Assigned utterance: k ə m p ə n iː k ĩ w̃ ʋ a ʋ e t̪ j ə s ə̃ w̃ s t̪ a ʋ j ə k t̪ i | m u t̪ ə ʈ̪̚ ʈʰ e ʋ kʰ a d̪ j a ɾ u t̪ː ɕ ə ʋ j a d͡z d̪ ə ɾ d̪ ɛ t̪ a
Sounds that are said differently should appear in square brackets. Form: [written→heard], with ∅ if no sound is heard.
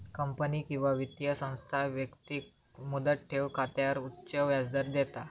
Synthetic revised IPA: k ə m p ə n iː k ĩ w̃ ʋ a ʋ [e→i] t̪ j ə s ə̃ w̃ s [t̪→t̪ʰ] a ʋ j ə k t̪ i | m u [t̪→d̪] ə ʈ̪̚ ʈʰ e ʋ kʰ a [d̪→t̪] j a ɾ u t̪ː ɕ ə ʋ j a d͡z d̪ ə ɾ d̪ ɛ t̪ a